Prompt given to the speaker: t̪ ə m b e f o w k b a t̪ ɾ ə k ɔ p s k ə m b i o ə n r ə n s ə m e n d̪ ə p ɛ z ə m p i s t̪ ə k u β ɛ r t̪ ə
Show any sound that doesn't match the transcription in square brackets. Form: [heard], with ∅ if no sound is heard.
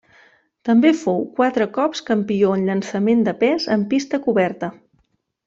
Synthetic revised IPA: t̪ ə m b e f o w k [w] a t̪ ɾ ə k ɔ p s k ə m [p] i o ə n [ʎ] ə n s ə m e n d̪ ə p ɛ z ə m p i s t̪ ə k u β ɛ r t̪ ə